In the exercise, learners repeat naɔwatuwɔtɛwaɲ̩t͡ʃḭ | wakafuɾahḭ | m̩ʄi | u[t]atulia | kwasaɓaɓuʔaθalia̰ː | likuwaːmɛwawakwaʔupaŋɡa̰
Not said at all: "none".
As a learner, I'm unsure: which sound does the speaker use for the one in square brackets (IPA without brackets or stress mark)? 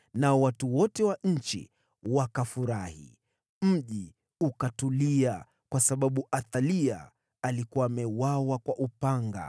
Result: k